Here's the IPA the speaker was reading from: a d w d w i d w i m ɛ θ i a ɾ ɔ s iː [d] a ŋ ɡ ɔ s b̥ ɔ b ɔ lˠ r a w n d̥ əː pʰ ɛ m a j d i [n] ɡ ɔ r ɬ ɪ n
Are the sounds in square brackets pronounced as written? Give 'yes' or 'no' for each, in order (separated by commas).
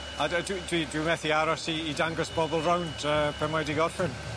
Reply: yes, no